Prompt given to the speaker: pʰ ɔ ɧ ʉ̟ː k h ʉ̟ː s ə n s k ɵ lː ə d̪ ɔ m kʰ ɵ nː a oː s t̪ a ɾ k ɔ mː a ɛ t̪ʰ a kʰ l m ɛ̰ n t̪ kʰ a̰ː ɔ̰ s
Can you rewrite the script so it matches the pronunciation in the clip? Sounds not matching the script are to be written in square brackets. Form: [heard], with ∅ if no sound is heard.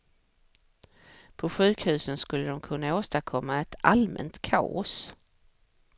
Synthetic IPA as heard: pʰ ɔ ɧ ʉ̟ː k h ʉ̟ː s ə n s k ɵ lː ə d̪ ɔ m kʰ ɵ nː a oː s t̪ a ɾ [kʰ] ɔ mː a ɛ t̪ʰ a [∅] l m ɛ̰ n t̪ kʰ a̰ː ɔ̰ s